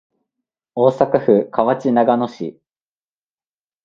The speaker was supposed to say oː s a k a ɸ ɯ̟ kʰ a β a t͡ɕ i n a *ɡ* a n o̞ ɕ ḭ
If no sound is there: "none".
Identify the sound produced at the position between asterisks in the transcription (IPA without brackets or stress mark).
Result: ɡ